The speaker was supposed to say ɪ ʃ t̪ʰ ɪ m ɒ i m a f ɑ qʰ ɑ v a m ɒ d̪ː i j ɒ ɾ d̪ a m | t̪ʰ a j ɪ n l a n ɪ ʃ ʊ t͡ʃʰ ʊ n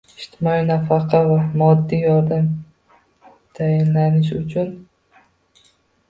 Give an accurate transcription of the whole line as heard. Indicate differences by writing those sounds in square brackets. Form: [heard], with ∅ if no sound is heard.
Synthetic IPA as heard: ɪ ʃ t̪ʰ ɪ m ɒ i [n] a f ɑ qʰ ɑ v a m ɒ d̪ː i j ɒ ɾ d̪ a m | t̪ʰ a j ɪ n l a n ɪ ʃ ʊ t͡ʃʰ ʊ n